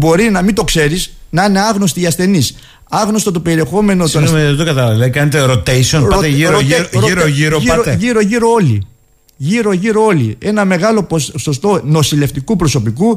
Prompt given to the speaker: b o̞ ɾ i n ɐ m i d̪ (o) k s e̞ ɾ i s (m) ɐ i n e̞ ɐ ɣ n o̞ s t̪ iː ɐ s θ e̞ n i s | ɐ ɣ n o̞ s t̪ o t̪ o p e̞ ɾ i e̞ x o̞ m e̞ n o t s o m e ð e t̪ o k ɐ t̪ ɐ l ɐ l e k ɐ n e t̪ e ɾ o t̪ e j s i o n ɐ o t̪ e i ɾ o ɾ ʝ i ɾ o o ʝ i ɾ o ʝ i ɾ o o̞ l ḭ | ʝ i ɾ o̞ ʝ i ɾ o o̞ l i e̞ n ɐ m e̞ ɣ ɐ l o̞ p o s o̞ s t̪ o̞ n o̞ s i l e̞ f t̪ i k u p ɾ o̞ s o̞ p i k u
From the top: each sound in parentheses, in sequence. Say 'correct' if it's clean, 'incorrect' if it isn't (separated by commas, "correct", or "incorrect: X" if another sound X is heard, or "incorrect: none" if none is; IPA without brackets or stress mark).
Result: correct, incorrect: n